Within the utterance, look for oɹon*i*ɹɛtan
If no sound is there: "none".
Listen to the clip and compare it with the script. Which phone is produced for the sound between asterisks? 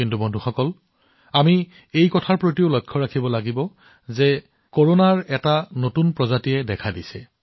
a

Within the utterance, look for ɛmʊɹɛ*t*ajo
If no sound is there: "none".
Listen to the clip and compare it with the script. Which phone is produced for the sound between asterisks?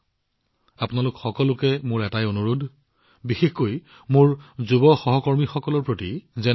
t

